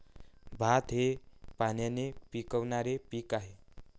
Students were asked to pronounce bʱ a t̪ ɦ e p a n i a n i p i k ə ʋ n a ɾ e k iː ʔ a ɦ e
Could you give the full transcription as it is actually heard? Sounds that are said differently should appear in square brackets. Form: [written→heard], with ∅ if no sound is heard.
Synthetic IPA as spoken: bʱ a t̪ ɦ e p a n [i→j] a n [i→e] p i k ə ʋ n a ɾ e [k→p] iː [ʔ→k] a ɦ e